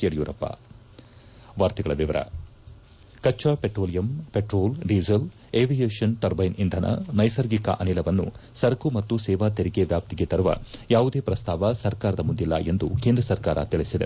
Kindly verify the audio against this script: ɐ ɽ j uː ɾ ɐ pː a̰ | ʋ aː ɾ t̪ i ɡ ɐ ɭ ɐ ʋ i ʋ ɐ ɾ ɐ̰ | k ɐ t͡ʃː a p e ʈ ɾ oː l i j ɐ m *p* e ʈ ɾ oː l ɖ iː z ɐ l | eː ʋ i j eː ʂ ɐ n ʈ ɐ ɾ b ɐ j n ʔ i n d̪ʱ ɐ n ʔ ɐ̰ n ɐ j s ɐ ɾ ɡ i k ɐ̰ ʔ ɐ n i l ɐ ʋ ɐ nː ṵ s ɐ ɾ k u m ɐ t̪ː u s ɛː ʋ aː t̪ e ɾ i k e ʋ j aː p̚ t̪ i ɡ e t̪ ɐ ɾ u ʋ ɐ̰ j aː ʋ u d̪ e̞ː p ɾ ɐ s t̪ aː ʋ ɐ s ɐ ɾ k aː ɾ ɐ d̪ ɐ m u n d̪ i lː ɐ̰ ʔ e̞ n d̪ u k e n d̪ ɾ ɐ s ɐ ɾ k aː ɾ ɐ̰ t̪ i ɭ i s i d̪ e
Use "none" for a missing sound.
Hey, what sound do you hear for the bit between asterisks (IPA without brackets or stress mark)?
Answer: p